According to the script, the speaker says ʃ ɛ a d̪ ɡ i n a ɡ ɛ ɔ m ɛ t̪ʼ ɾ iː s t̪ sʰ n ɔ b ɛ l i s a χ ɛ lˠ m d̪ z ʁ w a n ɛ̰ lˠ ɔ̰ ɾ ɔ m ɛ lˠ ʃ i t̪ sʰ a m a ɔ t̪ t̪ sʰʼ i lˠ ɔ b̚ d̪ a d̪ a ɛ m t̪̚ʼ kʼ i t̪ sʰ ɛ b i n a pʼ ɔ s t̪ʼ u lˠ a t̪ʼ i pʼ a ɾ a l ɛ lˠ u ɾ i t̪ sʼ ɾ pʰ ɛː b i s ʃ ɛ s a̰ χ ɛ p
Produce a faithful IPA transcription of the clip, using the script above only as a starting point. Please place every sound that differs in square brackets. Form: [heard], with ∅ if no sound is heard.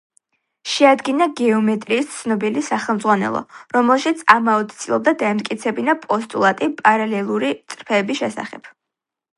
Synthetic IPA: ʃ ɛ a d̪ ɡ i n a ɡ ɛ ɔ m ɛ t̪ʼ ɾ iː s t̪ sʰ n ɔ b [i] l i s a χ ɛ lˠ m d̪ z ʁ w a n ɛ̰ lˠ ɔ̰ ɾ ɔ m ɛ lˠ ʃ i t̪ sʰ a m a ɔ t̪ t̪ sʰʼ i lˠ ɔ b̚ d̪ a d̪ a ɛ m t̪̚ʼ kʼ i t̪ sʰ ɛ b i n a pʼ ɔ s t̪ʼ u lˠ a t̪ʼ i pʼ a ɾ a l ɛ lˠ u ɾ i t̪ sʼ ɾ pʰ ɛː b i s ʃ ɛ s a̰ χ ɛ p